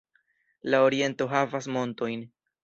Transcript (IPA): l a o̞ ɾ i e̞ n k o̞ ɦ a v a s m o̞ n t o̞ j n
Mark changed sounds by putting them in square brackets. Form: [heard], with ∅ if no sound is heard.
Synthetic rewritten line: l a o̞ ɾ i e̞ n [t] o̞ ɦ a v a s m o̞ n t o̞ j n